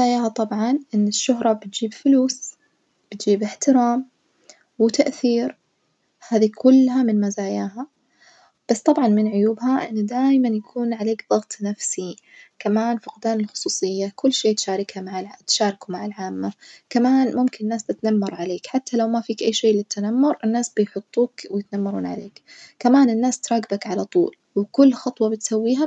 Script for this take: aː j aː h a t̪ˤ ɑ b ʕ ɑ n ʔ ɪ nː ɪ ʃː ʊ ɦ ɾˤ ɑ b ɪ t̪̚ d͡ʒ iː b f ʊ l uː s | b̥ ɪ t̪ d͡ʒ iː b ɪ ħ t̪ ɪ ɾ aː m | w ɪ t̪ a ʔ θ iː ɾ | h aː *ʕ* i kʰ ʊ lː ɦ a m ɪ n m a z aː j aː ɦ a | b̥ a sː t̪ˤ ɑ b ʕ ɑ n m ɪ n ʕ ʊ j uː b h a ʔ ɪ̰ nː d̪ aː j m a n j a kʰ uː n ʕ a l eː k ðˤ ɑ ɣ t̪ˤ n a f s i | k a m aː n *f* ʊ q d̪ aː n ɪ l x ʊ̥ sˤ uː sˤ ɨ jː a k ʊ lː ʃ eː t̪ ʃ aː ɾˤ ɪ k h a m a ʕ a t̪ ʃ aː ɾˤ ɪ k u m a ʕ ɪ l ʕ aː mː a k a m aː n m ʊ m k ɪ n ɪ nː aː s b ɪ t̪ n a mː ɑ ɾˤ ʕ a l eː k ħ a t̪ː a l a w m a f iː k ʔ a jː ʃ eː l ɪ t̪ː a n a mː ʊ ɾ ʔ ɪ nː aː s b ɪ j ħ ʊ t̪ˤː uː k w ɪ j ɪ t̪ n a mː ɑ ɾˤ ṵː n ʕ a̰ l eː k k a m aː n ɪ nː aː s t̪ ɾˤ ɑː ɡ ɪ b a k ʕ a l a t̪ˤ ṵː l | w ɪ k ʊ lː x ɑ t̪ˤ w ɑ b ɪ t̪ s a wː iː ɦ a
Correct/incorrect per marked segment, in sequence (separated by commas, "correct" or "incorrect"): incorrect, correct